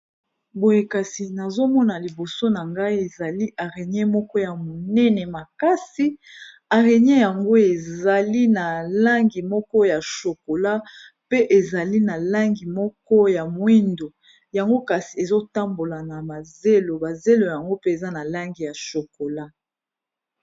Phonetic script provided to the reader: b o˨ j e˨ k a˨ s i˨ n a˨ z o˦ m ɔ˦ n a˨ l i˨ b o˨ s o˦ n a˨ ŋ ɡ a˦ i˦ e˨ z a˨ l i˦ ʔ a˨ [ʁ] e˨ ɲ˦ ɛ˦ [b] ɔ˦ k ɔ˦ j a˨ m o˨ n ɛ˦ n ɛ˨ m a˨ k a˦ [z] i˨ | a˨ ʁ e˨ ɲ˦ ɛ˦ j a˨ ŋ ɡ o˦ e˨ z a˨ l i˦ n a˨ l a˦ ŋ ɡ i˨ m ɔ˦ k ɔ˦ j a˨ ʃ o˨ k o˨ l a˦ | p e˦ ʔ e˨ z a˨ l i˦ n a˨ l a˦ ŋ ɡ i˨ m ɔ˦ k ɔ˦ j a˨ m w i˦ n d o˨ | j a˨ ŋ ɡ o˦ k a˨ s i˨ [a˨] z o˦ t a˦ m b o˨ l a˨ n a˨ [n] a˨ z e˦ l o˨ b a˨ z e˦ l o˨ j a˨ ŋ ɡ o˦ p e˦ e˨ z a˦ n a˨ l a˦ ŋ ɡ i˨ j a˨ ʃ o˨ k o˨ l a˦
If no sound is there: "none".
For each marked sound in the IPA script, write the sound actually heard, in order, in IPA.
ʁ, m, s, e˨, m

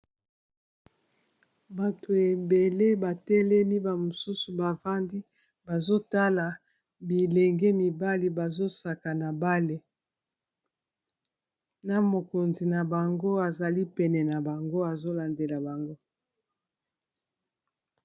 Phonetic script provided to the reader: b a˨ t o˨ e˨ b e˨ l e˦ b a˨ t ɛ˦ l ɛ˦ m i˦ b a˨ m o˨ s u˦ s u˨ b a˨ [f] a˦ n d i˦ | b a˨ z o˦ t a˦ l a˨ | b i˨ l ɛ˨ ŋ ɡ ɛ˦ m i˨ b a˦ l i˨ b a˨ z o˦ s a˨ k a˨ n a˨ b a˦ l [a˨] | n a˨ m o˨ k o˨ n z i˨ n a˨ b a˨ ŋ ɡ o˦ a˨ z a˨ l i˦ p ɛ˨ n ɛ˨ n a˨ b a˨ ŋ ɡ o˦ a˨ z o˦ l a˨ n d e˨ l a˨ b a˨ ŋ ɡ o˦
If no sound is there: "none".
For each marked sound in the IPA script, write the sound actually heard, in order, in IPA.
v, e˨

